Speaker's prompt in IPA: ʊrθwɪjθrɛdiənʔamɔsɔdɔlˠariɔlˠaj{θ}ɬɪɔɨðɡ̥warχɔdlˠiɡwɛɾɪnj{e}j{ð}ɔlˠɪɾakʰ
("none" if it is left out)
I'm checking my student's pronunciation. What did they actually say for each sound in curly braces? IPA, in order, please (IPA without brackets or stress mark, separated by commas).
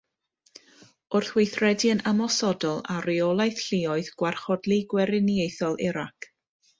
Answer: θ, e, θ